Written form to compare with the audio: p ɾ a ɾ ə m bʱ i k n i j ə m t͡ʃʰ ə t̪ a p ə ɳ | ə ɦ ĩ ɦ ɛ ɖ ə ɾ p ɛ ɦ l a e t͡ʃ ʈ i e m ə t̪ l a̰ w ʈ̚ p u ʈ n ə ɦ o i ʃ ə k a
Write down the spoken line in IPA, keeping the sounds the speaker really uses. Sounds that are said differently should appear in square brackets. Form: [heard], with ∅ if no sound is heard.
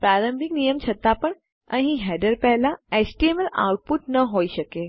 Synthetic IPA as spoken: p ɾ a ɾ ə m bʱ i k n i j ə m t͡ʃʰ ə t̪ a p ə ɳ | ə ɦ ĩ ɦ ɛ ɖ ə ɾ p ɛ ɦ l a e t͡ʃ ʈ i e m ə [∅] l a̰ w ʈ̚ p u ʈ n ə ɦ o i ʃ ə k [e]